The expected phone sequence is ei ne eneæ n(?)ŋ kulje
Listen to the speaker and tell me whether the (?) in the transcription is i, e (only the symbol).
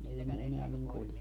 i